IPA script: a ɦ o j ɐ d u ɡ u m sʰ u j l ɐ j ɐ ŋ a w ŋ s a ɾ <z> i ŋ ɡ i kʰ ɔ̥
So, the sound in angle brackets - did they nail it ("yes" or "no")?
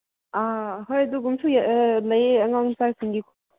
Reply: no